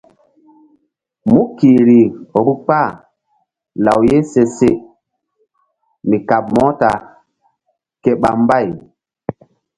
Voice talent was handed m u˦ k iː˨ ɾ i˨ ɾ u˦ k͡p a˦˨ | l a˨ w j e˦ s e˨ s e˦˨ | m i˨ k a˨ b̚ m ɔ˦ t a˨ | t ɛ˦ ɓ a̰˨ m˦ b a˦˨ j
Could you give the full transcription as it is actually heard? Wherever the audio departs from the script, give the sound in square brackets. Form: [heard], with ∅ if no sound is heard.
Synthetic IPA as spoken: m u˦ k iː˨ ɾ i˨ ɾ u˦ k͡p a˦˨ | l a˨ w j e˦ s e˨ s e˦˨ | m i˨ k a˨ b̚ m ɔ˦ t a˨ | [k] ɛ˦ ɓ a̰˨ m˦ b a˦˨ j